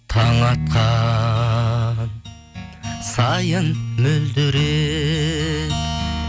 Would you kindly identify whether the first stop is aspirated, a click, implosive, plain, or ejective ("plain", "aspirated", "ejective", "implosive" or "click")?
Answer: aspirated